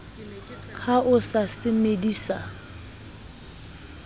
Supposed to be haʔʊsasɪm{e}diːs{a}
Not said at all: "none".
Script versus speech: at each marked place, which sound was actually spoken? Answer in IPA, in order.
e, a

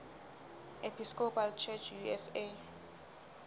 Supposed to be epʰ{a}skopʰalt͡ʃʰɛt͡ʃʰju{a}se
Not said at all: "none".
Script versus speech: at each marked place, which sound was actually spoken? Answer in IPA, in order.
i, ɛ

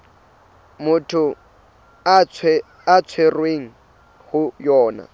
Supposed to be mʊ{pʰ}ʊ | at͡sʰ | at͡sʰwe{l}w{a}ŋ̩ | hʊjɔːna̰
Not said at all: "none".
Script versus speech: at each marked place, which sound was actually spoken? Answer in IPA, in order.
tʰ, r, e

